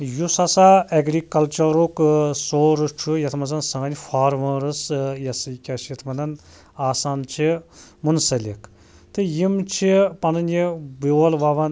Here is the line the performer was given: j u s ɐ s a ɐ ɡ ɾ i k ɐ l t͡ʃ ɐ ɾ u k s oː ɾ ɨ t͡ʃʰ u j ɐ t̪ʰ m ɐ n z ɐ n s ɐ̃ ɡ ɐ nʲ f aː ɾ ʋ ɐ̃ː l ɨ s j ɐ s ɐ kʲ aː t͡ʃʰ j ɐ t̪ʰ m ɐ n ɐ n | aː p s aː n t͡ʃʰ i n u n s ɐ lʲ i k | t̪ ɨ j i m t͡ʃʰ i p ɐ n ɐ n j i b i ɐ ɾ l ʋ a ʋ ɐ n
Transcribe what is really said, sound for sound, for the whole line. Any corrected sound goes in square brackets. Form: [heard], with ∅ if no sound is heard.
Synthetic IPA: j u s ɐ s a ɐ ɡ ɾ i k ɐ l t͡ʃ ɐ ɾ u k s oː ɾ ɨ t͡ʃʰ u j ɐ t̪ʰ m ɐ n z ɐ n s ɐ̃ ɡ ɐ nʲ f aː ɾ ʋ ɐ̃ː [ɾ] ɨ s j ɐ s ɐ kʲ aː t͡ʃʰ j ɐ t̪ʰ m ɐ n ɐ n | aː [∅] s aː n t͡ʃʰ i [m] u n s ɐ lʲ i k | t̪ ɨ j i m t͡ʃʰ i p ɐ n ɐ n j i b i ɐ [∅] l ʋ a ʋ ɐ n

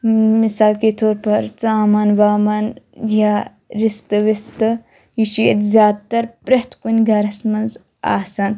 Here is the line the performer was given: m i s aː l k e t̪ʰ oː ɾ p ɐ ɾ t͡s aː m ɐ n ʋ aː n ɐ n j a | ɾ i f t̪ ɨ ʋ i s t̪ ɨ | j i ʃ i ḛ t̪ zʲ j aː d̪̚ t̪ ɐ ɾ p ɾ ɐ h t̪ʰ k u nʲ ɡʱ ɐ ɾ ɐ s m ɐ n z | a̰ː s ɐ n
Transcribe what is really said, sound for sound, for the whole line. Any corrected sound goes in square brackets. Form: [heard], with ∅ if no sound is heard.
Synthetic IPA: m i s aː l k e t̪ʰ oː ɾ p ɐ ɾ t͡s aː m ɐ n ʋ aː [m] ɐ n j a | ɾ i [s] t̪ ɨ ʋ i s t̪ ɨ | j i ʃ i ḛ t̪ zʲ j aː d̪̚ t̪ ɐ ɾ p ɾ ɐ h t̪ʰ k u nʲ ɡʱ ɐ ɾ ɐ s m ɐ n z | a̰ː s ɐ n

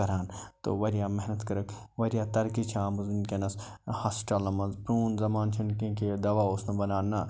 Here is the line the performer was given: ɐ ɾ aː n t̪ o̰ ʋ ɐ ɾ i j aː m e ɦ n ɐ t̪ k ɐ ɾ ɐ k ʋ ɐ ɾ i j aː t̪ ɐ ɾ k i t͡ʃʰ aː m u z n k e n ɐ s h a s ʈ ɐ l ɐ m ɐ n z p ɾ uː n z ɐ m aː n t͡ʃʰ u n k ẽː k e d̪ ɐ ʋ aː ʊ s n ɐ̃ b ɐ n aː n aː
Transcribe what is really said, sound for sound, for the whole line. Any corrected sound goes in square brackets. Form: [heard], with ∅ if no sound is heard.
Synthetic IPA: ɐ ɾ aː n t̪ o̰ ʋ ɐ ɾ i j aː m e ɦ n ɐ t̪ k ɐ ɾ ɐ k ʋ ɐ ɾ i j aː t̪ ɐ ɾ k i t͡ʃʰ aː m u z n k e n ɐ s h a s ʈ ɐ l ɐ m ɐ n z p ɾ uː n z ɐ m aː n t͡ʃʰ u n k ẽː k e d̪ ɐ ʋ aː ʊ s n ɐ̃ b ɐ n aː n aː

